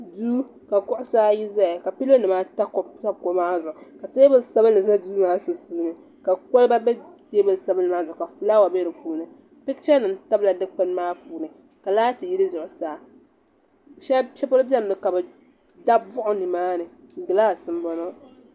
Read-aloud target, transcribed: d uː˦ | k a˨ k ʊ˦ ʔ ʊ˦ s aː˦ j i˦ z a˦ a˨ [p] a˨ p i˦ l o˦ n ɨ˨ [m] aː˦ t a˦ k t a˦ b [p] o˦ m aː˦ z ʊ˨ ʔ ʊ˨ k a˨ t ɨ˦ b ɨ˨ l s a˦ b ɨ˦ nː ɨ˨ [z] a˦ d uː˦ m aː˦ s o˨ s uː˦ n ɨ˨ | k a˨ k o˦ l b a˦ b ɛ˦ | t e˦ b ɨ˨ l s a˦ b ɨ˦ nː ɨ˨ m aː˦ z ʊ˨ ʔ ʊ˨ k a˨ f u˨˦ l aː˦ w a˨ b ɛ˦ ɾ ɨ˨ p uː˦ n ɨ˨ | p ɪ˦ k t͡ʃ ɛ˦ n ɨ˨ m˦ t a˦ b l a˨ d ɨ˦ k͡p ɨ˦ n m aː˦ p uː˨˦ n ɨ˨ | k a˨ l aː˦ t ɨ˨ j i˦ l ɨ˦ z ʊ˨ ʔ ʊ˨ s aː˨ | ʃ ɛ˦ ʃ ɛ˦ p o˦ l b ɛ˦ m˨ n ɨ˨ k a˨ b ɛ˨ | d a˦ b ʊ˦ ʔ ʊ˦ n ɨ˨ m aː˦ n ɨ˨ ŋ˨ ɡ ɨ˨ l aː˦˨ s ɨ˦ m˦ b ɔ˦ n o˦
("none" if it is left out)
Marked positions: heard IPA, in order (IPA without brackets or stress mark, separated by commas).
k, m, k, z